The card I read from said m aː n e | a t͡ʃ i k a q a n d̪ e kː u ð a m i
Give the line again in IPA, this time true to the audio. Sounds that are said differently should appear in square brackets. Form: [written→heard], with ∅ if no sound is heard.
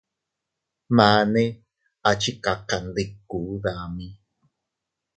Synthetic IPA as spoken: m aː n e | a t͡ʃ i k a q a n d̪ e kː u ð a m i